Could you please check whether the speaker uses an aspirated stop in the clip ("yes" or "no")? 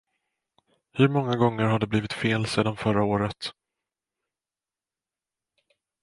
no